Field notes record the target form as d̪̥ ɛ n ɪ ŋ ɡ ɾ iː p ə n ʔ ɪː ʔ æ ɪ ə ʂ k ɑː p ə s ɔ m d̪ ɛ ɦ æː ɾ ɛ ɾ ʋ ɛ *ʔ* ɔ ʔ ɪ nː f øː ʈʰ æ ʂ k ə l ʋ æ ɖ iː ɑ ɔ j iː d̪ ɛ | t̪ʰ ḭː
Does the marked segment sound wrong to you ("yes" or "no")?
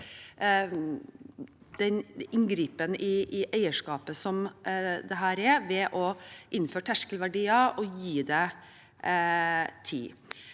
no